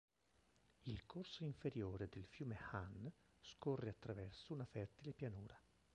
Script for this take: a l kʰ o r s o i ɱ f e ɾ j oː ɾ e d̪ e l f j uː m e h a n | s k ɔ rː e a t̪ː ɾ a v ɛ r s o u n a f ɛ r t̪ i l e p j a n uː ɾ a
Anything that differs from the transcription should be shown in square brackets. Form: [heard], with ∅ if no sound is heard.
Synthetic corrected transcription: [i] l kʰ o r s o i ɱ f e ɾ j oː ɾ e d̪ e l f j uː m e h a n | s k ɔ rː e a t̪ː ɾ a v ɛ r s o u n a f ɛ r t̪ i l e p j a n uː ɾ a

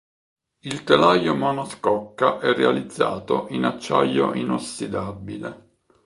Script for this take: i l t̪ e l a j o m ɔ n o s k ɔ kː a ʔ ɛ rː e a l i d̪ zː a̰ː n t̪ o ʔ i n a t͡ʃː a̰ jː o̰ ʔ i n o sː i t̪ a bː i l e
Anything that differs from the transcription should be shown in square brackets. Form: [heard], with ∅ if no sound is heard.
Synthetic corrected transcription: i l t̪ e l a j o m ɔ n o s k ɔ kː a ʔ ɛ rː e a l i d̪ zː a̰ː [∅] t̪ o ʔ i n a t͡ʃː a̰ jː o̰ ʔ i n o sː i [d̪] a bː i l e

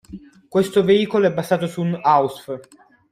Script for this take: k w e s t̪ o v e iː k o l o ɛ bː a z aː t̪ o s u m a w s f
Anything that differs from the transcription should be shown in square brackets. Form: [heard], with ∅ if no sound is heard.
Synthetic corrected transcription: k w e s t̪ o v e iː k o l o ɛ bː a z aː t̪ o s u [n] a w s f

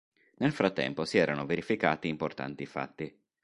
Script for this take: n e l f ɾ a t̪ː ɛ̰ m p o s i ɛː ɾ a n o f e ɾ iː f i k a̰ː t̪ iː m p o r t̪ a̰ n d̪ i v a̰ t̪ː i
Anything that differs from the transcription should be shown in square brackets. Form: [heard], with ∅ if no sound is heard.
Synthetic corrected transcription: n e l f ɾ a t̪ː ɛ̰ m p o s i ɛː ɾ a n o [v] e ɾ [i] f i k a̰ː t̪ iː m p o r t̪ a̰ n [t̪] i [f] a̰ t̪ː i

